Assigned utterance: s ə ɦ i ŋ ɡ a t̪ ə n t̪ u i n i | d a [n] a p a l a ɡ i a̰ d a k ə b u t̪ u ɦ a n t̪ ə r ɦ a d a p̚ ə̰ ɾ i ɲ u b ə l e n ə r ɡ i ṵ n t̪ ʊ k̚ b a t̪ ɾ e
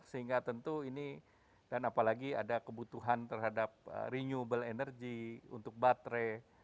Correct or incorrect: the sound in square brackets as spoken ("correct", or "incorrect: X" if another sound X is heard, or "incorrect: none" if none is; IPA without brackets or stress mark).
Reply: correct